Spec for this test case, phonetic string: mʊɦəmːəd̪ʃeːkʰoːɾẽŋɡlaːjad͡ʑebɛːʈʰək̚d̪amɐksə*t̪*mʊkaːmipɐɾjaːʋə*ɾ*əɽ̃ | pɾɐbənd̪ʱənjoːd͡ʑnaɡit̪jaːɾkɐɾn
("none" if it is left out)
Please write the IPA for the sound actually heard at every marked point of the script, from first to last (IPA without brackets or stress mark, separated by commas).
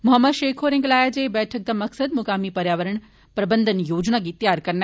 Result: d̪, ɾ